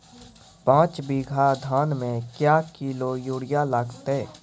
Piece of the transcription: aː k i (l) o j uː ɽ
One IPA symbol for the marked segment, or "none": l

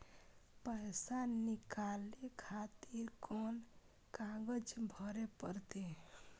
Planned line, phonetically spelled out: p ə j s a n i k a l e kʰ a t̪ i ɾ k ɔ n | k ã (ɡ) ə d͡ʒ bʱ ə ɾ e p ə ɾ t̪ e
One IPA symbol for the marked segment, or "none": ɡ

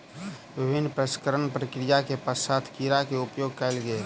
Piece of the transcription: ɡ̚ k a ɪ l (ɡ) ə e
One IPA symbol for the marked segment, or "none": ɡ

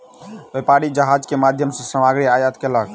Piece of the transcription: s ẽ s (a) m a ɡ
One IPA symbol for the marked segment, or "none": ə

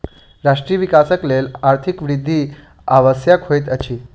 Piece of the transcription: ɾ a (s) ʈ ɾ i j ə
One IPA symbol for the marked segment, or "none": ʂ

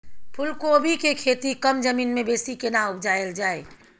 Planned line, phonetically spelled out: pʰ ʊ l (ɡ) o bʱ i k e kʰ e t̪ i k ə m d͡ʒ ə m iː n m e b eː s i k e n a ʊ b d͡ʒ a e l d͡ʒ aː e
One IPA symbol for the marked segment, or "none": k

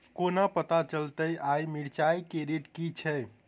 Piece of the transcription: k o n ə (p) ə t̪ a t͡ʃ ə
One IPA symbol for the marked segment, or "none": p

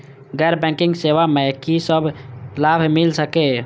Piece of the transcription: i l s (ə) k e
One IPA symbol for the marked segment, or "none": ə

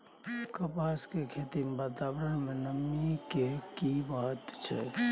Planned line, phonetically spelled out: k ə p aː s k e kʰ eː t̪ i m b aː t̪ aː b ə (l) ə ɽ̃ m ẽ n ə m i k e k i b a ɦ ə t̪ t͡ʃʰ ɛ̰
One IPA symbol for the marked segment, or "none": ɾ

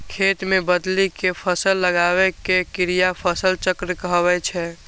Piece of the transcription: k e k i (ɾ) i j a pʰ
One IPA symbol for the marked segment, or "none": ɾ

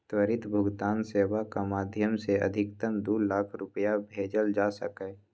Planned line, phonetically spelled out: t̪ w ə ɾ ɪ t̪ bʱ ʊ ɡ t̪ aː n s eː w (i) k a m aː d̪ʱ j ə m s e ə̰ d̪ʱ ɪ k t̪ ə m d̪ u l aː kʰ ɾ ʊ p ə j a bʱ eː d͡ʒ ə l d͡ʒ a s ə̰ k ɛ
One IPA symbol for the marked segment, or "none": a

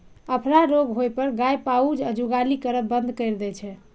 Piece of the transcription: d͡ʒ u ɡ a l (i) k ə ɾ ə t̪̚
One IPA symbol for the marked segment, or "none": i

